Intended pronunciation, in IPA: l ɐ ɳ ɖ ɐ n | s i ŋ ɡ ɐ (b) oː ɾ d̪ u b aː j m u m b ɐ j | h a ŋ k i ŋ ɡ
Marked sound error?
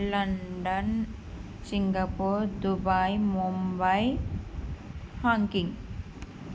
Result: yes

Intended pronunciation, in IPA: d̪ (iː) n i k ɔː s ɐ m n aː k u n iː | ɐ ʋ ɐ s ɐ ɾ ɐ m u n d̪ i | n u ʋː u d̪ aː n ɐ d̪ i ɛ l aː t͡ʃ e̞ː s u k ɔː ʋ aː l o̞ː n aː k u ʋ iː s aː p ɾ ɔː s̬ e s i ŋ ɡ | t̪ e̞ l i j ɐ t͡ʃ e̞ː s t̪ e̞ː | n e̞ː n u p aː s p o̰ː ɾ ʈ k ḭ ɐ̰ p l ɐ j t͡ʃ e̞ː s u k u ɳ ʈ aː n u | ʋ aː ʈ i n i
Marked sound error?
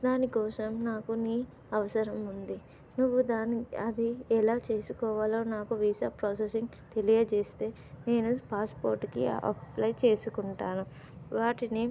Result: yes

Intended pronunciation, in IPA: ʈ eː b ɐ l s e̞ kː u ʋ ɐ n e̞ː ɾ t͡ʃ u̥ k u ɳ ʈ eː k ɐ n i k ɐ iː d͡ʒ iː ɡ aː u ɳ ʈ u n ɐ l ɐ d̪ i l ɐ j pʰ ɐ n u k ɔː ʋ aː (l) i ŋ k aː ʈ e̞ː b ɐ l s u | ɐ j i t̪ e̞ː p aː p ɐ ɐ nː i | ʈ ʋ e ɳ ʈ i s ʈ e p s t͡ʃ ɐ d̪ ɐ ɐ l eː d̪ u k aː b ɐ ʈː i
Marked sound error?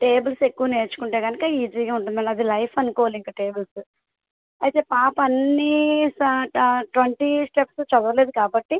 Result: no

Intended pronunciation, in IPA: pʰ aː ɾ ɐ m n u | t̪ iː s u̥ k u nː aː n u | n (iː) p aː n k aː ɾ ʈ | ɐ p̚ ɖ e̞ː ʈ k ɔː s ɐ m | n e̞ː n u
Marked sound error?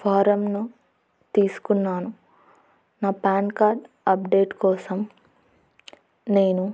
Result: yes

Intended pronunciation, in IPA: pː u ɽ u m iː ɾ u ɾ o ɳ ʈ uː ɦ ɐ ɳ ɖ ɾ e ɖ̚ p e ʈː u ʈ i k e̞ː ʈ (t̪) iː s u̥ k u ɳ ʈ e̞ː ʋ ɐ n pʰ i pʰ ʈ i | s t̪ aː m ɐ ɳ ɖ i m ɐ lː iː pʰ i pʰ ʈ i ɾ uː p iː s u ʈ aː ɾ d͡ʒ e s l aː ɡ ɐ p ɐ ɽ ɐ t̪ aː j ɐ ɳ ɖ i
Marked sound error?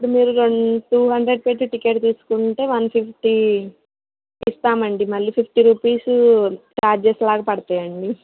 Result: no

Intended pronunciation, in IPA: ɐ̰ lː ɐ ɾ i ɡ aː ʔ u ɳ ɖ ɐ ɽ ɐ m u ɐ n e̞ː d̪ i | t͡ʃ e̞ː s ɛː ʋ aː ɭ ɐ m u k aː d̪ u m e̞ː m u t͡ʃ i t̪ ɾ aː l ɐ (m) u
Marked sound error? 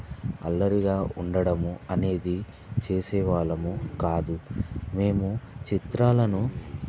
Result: yes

